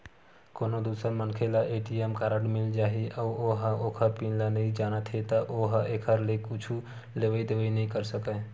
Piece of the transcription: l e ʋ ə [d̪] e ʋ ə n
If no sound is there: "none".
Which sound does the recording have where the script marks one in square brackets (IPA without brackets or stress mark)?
d̪